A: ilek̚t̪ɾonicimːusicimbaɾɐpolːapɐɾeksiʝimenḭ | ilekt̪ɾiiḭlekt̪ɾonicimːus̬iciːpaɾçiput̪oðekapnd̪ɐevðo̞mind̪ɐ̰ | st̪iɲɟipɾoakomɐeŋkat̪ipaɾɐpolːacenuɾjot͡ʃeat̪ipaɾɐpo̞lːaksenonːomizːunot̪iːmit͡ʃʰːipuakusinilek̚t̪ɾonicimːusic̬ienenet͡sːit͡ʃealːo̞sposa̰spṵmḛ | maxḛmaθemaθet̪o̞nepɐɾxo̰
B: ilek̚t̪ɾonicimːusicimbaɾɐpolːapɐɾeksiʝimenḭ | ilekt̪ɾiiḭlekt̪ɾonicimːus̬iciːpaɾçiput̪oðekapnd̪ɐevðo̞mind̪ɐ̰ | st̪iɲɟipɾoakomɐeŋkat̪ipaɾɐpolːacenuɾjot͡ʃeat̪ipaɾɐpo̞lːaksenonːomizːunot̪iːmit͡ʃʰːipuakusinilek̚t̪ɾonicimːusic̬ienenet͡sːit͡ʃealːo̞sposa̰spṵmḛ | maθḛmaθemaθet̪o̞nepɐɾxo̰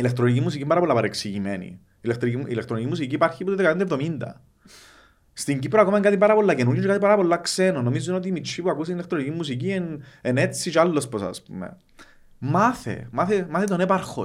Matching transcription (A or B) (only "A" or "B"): B